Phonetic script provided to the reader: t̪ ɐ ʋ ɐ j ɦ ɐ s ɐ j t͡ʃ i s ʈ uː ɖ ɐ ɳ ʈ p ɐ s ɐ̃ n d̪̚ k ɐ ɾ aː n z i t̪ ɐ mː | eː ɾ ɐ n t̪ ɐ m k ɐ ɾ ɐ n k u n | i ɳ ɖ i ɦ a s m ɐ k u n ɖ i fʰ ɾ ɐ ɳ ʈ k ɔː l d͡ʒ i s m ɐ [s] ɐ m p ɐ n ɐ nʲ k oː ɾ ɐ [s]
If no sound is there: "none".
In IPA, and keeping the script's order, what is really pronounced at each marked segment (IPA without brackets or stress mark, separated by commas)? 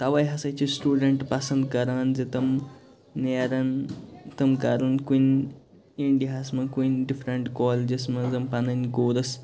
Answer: z, s